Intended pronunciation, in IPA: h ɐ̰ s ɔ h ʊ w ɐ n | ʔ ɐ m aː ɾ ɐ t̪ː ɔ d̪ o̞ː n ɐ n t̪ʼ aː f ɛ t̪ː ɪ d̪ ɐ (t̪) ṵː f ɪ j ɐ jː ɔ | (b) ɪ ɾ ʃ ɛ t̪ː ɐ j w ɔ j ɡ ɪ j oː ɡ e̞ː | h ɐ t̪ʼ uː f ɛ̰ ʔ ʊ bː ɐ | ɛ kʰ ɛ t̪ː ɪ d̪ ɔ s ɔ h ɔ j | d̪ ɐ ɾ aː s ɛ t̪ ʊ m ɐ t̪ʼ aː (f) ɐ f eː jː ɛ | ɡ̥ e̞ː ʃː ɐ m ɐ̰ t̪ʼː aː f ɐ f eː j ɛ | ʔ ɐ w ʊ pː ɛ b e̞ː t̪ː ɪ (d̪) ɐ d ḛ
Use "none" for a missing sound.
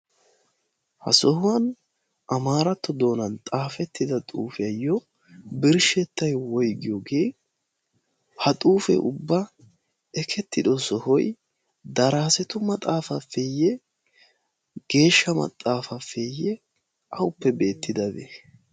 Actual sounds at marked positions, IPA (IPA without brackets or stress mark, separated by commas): t̪ʼ, b, f, d̪